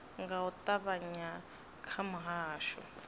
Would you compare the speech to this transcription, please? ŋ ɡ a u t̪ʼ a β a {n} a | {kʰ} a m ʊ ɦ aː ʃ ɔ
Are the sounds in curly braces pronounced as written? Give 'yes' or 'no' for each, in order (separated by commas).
no, yes